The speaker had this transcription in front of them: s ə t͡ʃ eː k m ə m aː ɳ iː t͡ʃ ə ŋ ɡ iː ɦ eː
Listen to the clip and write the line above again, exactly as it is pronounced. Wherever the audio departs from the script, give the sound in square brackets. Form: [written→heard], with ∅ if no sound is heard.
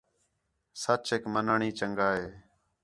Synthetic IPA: s ə t͡ʃ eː k m ə [m→n] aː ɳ iː t͡ʃ ə ŋ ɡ [iː→aː] ɦ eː